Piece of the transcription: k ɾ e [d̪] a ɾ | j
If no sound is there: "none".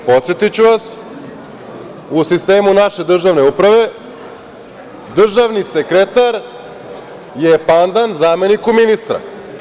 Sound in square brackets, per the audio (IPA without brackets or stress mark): t̪